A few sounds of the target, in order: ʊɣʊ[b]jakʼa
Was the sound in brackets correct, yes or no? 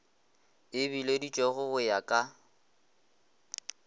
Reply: no